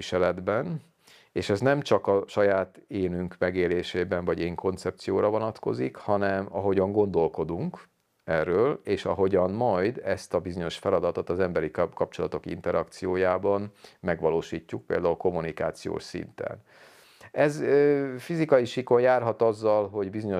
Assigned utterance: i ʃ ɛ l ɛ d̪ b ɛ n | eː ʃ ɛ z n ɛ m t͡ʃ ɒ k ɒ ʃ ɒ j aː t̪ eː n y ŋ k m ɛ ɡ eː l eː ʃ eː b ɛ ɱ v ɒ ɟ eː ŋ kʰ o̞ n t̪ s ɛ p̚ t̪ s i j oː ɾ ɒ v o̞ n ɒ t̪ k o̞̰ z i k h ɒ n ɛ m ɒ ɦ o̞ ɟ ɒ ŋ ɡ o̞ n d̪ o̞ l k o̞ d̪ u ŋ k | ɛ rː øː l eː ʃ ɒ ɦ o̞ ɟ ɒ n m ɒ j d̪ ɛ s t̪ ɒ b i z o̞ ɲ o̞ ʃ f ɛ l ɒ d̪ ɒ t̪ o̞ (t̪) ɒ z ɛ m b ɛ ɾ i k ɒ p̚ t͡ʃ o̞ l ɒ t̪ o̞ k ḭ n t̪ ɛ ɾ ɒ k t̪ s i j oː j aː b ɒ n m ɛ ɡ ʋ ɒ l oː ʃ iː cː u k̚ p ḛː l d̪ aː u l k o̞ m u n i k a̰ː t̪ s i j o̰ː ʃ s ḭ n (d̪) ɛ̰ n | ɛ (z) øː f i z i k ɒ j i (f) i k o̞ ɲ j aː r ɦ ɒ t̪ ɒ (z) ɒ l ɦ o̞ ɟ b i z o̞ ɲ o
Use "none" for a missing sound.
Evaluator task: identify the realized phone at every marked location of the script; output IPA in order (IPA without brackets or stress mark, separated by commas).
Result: t̪, t̪, z, ʃ, zː